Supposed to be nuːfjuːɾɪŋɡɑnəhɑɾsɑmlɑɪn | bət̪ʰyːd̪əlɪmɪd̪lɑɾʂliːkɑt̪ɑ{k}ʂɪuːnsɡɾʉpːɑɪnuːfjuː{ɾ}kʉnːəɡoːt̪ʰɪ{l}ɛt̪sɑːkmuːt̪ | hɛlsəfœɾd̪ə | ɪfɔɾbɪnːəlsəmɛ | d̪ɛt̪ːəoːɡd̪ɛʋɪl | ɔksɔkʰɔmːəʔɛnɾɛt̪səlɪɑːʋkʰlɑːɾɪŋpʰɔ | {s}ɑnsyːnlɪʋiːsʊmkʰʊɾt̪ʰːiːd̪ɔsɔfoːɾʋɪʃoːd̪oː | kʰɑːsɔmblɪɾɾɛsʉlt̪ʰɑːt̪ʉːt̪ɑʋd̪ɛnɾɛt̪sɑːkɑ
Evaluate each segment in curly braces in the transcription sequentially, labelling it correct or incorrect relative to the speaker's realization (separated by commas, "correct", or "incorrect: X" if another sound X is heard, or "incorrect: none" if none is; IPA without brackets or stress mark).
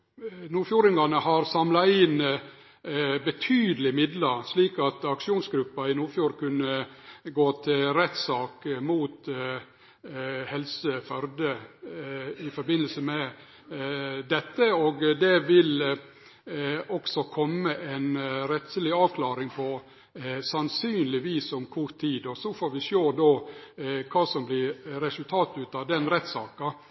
correct, correct, incorrect: ɾ, correct